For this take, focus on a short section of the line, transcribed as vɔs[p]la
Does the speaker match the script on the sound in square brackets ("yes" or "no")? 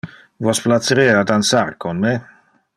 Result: yes